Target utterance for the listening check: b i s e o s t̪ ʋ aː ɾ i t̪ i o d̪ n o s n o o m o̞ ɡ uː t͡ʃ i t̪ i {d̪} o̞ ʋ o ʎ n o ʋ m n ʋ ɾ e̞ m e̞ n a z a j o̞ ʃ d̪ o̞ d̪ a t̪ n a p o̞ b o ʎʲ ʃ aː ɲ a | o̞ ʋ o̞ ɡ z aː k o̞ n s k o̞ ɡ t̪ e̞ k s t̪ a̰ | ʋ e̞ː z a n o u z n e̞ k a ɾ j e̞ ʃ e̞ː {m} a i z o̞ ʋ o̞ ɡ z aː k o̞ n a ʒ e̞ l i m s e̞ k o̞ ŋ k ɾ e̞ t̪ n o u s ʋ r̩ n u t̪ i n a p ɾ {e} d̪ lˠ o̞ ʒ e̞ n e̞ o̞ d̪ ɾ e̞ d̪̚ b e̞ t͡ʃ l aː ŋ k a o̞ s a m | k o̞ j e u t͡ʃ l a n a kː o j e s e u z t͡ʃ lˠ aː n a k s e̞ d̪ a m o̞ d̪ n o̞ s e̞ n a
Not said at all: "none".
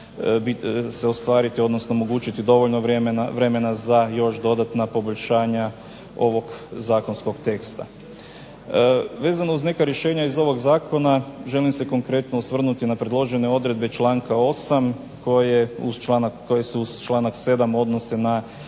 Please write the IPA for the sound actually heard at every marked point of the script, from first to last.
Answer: d̪, ɲ, e

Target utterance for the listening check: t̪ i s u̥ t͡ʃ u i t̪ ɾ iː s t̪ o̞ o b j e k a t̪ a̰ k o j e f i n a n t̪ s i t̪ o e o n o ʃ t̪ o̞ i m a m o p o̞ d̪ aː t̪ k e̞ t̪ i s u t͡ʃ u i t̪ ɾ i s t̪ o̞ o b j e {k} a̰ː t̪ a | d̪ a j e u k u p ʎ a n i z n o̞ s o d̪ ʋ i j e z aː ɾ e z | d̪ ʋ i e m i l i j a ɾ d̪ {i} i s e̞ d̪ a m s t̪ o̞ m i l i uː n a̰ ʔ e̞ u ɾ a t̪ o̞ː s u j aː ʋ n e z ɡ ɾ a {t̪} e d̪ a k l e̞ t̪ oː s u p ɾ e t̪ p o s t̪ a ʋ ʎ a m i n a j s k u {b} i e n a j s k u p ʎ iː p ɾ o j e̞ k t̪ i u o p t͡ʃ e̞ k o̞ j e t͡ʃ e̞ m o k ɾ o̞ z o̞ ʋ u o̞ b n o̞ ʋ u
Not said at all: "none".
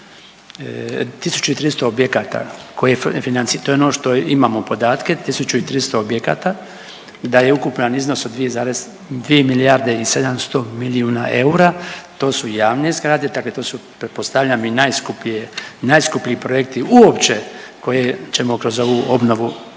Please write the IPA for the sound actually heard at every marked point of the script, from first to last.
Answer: k, e, d̪, p

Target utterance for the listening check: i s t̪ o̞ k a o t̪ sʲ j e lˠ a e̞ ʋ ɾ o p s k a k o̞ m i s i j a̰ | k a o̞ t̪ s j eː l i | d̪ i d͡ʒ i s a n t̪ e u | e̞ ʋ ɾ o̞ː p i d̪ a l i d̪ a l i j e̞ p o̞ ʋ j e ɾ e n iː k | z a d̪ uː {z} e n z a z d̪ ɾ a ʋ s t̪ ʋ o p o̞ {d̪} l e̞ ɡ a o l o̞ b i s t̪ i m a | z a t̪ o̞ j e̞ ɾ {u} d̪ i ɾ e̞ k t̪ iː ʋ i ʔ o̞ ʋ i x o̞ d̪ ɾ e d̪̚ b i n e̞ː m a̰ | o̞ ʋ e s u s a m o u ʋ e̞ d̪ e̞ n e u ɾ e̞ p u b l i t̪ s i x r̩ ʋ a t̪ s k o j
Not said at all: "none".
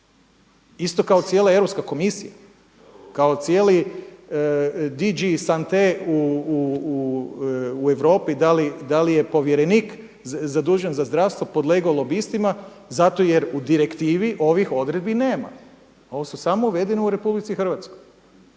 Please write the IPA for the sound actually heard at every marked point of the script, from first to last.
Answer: ʒ, d̪, u

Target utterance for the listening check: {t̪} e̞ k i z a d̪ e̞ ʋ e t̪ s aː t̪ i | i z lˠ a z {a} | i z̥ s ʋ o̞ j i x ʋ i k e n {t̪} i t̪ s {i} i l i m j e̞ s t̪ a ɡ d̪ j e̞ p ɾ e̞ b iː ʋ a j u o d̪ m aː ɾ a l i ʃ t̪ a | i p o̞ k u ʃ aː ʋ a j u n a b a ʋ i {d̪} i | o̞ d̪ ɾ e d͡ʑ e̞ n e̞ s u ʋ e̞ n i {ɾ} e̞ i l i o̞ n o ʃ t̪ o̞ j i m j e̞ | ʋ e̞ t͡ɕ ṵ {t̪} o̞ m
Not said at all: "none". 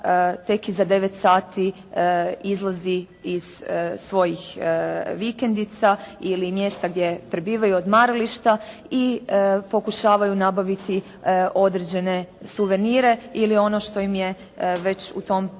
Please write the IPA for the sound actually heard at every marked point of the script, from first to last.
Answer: t̪, i, d̪, a, t̪, ɾ, t̪

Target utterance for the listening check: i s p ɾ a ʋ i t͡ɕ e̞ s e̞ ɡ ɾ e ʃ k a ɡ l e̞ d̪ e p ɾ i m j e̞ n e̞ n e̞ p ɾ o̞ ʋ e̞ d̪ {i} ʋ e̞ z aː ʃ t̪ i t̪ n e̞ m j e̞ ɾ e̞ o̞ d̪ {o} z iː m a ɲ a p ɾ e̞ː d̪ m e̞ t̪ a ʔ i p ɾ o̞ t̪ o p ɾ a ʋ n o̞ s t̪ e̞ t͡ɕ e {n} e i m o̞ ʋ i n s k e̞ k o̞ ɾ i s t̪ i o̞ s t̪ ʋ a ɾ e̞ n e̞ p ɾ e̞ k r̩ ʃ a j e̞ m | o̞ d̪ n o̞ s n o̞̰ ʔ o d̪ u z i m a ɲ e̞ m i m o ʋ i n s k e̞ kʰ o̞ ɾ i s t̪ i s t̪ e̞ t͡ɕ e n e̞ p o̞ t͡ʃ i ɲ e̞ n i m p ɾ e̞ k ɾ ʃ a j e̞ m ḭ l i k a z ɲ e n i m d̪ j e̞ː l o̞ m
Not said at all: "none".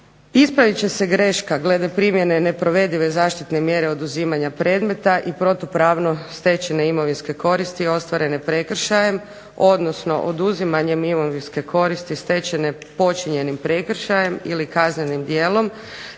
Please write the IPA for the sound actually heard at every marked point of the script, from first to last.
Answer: i, u, n

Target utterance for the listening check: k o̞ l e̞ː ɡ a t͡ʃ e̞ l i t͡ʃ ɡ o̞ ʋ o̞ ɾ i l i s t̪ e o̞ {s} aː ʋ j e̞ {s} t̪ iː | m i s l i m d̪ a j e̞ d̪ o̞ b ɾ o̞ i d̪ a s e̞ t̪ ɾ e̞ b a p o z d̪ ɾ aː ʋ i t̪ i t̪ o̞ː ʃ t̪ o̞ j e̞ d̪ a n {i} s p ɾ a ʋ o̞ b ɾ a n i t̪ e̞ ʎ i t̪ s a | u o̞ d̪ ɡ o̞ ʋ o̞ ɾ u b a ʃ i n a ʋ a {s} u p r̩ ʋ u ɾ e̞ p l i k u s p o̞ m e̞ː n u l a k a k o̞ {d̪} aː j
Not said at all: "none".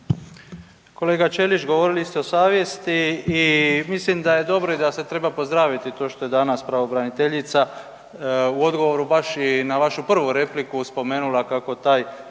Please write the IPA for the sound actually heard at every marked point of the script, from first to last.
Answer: s, s, a, ʃ, t̪

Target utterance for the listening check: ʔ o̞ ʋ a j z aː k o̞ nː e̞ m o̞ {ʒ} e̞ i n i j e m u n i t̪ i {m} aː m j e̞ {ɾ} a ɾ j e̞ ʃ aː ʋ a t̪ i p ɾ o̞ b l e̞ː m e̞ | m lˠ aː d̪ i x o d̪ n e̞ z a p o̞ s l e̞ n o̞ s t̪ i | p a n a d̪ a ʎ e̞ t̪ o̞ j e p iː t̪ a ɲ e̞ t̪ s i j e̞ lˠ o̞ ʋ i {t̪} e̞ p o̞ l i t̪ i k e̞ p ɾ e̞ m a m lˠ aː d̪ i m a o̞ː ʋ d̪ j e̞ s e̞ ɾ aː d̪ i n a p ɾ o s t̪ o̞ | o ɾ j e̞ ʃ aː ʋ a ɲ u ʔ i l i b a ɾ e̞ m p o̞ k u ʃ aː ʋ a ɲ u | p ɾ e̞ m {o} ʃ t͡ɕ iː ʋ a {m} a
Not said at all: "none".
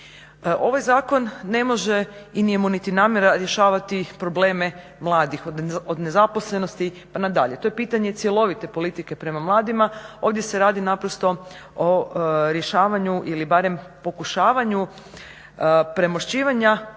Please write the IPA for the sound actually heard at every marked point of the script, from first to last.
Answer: ʒ, n, ɾ, t̪, o, ɲ

